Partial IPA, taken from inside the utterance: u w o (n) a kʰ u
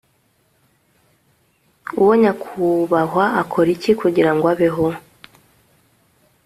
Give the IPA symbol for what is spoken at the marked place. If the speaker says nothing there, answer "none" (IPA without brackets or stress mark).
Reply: ɲ